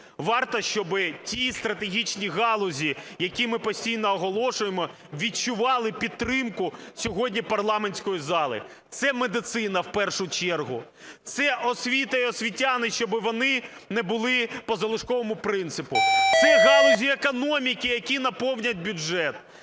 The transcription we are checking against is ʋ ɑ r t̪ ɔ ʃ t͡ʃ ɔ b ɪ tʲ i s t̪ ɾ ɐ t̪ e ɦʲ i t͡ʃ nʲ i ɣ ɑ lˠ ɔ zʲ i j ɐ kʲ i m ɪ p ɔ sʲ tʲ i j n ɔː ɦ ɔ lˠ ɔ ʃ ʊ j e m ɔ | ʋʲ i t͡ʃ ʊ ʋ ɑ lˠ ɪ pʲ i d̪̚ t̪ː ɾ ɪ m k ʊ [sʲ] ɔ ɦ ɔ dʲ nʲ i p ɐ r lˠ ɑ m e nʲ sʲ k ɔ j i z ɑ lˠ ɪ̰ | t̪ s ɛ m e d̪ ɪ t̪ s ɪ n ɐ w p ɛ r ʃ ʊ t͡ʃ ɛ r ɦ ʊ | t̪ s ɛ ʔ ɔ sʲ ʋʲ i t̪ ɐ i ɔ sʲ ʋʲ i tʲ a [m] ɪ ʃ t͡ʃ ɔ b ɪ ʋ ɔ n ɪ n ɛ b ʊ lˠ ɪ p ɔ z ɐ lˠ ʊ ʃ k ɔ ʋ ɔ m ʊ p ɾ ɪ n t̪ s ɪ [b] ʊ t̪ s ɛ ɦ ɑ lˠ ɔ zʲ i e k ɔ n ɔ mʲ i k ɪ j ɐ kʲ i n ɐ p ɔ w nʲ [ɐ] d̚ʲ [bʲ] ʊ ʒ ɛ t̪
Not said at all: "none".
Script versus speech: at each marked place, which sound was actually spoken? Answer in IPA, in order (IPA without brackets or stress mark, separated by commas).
sʲ, n, p, ɐ, bʲ